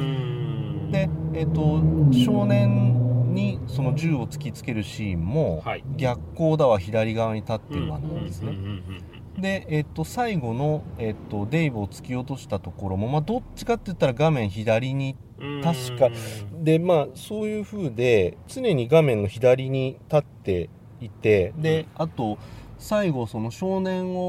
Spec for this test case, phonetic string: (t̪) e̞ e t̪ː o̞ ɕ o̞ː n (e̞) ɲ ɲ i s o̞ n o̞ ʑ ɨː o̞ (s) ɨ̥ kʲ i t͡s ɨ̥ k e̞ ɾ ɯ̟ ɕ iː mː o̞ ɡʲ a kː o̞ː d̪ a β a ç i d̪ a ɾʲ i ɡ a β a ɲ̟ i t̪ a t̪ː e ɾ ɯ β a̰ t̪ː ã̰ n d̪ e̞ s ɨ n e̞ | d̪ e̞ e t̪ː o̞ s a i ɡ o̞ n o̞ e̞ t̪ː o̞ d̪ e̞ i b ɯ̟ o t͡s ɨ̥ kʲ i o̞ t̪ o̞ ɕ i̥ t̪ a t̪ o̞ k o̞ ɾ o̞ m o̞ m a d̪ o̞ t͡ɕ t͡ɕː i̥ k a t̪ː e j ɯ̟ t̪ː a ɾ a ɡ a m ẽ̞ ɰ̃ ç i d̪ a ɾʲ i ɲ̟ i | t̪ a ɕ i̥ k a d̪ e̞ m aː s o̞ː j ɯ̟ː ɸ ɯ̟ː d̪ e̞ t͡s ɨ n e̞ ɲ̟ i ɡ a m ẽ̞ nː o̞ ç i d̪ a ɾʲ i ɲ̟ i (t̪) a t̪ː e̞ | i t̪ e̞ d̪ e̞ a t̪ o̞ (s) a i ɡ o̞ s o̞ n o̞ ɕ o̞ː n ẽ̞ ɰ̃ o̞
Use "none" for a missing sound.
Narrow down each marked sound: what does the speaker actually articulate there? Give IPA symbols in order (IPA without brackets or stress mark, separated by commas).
d̪, ẽ̞, t͡s, t̪, s